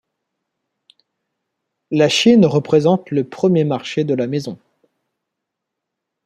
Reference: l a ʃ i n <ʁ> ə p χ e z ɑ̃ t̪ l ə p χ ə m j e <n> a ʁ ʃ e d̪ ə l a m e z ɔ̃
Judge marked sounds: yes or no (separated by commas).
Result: yes, no